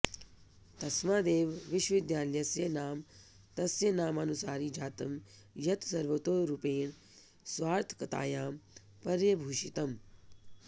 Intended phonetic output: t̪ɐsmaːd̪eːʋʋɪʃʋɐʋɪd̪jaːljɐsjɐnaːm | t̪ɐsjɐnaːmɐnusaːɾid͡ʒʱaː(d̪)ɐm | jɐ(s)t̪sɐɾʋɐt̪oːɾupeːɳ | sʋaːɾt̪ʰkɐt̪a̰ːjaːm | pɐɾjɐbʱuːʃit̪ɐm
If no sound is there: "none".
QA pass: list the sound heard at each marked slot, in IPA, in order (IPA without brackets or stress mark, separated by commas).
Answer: t̪, none